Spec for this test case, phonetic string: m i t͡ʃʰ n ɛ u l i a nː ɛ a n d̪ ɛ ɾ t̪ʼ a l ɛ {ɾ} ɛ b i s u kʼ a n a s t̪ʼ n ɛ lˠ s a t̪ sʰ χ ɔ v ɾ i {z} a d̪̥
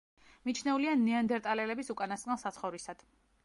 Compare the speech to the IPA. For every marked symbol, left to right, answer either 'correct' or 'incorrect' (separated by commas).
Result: incorrect, incorrect